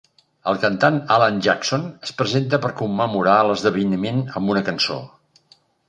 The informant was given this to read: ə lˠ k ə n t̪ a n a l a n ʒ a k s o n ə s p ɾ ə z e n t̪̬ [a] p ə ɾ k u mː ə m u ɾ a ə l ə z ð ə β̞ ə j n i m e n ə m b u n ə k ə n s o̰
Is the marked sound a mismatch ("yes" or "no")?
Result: yes